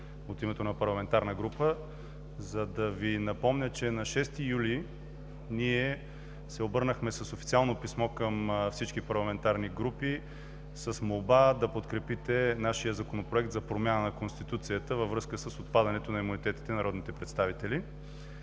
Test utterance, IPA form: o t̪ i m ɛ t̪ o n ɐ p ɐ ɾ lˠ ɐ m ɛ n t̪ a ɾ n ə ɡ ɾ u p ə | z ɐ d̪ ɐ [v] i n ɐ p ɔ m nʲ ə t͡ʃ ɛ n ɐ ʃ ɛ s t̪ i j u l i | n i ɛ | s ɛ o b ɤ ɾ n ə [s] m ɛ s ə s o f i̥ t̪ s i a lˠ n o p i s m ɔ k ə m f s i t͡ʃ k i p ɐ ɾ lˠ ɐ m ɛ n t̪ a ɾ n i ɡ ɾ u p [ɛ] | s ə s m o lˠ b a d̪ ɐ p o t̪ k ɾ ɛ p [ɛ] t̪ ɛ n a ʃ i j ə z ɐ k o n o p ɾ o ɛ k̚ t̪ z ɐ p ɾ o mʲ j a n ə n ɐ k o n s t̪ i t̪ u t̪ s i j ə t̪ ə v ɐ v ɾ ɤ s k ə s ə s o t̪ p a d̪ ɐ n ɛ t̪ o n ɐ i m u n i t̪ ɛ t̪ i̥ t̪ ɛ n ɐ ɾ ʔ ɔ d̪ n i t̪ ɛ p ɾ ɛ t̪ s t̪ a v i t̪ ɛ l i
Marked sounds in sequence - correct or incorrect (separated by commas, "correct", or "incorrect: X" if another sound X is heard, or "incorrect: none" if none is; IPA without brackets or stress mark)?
correct, incorrect: x, incorrect: i, incorrect: i